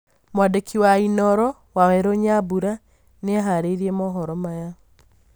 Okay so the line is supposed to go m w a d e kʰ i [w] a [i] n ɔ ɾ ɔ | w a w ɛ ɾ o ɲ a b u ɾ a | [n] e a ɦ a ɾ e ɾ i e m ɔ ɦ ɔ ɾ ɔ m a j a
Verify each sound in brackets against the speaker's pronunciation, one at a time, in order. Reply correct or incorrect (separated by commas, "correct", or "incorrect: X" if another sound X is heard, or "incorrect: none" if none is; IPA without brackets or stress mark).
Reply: correct, correct, correct